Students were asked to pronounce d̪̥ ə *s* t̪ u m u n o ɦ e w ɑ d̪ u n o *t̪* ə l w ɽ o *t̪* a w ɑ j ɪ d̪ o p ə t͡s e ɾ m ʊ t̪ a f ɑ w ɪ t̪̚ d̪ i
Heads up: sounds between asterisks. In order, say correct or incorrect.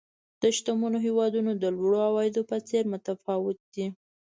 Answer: incorrect, incorrect, incorrect

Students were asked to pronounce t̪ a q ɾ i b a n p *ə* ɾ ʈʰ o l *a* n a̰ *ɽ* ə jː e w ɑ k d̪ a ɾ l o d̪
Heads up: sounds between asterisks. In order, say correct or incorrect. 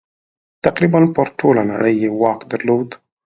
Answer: correct, correct, correct

